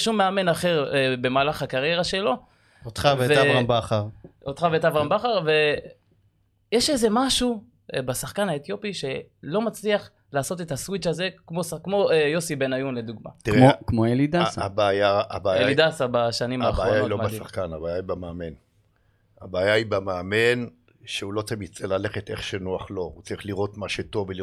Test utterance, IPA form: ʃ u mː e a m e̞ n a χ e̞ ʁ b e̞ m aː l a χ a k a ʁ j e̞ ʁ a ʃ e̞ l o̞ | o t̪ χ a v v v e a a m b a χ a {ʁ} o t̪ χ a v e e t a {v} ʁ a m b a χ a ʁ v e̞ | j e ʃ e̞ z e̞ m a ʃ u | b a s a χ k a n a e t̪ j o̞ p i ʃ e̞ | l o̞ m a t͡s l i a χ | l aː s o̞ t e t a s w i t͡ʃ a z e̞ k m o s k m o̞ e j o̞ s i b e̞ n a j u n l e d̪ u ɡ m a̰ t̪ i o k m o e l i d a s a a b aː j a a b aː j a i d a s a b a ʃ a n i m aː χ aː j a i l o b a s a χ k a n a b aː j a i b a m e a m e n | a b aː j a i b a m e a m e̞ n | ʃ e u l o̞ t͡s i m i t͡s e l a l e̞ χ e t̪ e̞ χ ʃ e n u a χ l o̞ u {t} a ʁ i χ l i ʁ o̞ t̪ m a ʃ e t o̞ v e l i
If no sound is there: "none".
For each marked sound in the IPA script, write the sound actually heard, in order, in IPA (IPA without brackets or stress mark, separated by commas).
ʁ, v, t͡s